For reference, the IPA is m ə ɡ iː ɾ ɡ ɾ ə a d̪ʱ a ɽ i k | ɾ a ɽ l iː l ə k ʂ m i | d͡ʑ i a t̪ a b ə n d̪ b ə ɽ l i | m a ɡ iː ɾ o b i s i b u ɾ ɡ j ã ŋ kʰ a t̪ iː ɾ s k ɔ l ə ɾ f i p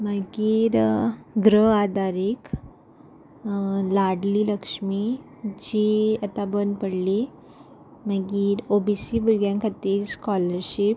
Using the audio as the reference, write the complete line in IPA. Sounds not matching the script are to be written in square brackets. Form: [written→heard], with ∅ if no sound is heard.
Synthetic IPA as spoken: m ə ɡ iː ɾ ɡ ɾ ə a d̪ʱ a [ɽ→ɾ] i k | [ɾ→l] a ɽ l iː l ə k ʂ m i | d͡ʑ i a t̪ a b ə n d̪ [b→p] ə ɽ l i | m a ɡ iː ɾ o b i s i b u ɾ ɡ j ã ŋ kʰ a t̪ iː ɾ s k ɔ l ə ɾ [f→ɕ] i p